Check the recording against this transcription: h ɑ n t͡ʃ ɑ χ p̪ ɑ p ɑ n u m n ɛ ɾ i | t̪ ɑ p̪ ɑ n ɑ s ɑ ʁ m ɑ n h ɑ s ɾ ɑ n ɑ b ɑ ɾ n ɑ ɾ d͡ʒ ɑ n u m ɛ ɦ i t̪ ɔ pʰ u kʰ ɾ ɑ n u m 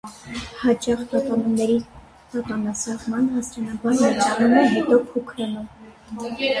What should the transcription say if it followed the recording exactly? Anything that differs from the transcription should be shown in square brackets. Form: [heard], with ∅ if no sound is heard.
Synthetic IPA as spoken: h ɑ [∅] t͡ʃ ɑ χ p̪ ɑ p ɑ n u m n ɛ ɾ i | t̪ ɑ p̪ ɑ n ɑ s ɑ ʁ m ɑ n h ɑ s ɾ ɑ n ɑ b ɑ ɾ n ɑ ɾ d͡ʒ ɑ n u m ɛ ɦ [ɛ] t̪ ɔ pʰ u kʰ ɾ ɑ n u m